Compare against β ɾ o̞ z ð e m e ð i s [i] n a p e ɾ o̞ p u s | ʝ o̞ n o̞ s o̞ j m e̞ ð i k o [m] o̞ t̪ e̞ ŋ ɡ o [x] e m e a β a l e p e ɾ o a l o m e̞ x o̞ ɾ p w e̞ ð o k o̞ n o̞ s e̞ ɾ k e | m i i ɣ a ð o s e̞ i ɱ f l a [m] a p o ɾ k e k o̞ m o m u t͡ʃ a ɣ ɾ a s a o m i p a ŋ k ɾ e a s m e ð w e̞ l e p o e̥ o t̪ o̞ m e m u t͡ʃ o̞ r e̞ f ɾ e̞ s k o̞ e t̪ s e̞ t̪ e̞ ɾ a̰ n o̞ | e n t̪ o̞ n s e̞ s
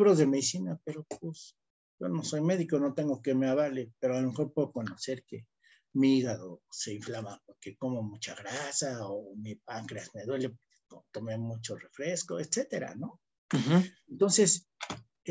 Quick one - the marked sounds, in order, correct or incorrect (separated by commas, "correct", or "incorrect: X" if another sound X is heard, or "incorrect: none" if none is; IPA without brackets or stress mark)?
correct, incorrect: n, incorrect: k, correct